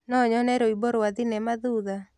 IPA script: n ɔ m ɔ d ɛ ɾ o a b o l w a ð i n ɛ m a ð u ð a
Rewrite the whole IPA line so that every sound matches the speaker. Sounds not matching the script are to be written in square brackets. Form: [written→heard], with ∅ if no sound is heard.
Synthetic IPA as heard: n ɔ [m→ɲ] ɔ [d→n] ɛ ɾ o [a→i] b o [l→ɾ] w a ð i n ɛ m a ð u ð a

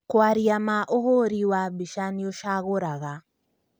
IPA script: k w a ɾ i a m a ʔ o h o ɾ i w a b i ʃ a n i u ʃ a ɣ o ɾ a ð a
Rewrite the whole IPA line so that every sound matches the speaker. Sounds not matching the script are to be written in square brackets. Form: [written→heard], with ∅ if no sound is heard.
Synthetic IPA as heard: k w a ɾ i a m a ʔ o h o ɾ i w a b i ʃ a n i [u→o] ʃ a ɣ o ɾ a [ð→ɣ] a

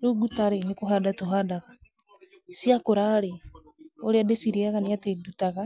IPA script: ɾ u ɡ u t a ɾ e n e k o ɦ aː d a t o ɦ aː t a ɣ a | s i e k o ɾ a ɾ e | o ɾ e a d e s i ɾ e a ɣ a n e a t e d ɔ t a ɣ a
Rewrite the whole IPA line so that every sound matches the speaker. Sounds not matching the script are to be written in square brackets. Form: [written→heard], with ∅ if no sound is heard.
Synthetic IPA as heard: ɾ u ɡ u t a ɾ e n e k o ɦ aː d a t o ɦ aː [t→d] a ɣ a | s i [e→a] k o ɾ a ɾ e | o ɾ e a d e s i ɾ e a ɣ a n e a t e d [ɔ→u] t a ɣ a

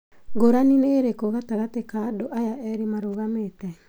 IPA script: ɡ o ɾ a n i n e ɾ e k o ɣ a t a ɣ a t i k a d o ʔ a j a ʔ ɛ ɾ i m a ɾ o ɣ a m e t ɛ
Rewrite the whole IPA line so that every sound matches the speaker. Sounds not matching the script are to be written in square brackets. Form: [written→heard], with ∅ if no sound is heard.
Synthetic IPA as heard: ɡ o ɾ a n i n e ɾ e k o ɣ a t a ɣ a t [i→e] k a d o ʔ a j a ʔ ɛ ɾ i m a ɾ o ɣ a m e t ɛ

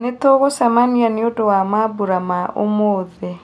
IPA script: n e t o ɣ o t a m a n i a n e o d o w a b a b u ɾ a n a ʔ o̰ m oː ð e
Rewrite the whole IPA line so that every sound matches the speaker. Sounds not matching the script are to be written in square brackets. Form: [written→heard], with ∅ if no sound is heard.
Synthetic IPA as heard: n e t o ɣ o [t→s] a m a n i a n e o d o w a [b→m] a b u ɾ a [n→m] a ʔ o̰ m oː ð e

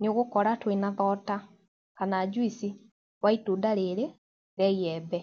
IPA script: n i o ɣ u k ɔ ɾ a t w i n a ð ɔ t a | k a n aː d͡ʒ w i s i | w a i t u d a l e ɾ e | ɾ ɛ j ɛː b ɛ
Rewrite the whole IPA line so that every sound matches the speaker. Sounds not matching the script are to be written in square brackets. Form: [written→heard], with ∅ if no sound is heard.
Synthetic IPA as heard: n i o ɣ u k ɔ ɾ a t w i n a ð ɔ t a | k a n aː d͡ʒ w i s i | w a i t u d a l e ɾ e | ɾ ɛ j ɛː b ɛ

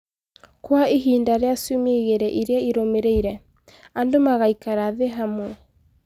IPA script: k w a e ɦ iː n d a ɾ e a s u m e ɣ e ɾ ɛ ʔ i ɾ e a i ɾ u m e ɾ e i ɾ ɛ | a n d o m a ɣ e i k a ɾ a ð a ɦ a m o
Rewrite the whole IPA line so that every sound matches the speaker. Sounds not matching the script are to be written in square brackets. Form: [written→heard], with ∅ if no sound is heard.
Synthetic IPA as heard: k w a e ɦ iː n d a ɾ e a s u m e ɣ e ɾ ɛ ʔ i ɾ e a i ɾ [u→o] m e ɾ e i ɾ ɛ | a n d o m a ɣ [e→a] i k a ɾ a ð [a→e] ɦ a m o

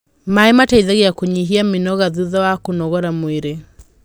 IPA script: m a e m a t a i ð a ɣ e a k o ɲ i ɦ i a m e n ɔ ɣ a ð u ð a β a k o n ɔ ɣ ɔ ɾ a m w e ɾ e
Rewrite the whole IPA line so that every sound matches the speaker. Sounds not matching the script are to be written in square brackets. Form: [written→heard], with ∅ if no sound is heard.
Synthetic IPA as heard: m a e m a t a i ð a ɣ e a k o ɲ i ɦ i a m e n ɔ ɣ a ð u ð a [β→w] a k o n ɔ ɣ ɔ ɾ a m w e ɾ e

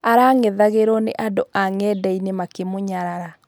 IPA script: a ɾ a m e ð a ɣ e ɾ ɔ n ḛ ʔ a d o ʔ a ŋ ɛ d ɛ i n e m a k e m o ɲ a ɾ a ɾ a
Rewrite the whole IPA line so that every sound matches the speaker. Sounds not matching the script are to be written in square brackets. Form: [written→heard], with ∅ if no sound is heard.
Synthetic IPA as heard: a ɾ a [m→ŋ] e ð a ɣ e ɾ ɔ n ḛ ʔ a d o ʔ a ŋ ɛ d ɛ i n e m a k e m o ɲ a ɾ a ɾ a

